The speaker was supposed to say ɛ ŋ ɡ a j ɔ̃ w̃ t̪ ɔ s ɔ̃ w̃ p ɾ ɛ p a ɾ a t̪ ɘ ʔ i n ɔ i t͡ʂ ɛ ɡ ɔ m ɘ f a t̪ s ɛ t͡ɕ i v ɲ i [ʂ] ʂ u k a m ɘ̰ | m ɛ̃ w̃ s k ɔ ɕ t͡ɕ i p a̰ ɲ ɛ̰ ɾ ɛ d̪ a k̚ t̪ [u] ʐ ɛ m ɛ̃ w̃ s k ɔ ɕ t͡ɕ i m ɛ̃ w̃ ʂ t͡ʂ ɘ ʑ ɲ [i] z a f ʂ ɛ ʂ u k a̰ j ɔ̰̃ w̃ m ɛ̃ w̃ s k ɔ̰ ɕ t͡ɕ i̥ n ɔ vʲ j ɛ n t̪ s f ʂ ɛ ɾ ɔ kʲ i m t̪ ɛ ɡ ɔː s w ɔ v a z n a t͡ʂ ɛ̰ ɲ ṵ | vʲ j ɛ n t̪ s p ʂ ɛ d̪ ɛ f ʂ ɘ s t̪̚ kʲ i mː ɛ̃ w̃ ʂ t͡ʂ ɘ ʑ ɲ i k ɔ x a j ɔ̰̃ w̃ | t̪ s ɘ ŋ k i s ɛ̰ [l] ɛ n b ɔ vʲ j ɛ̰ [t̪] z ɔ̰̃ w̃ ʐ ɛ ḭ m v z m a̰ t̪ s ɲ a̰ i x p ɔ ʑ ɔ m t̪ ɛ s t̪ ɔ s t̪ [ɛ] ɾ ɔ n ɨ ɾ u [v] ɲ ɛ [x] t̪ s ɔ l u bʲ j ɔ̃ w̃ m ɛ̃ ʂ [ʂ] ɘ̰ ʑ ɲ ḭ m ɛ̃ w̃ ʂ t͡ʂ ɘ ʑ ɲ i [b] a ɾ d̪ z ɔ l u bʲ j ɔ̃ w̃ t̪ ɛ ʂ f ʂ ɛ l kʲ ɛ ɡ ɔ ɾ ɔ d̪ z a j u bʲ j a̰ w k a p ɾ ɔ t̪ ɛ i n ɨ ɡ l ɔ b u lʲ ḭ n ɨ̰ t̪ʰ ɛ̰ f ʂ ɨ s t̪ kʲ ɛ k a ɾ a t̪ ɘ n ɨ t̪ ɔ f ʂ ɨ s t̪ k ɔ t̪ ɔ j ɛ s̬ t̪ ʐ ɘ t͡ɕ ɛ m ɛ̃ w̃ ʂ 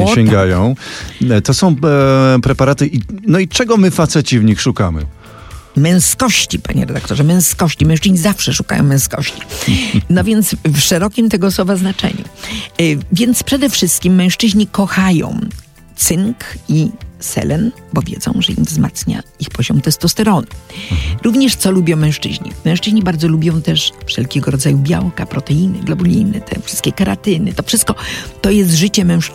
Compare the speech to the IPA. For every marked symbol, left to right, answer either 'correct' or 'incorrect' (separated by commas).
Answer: incorrect, incorrect, correct, correct, incorrect, correct, correct, incorrect, incorrect, correct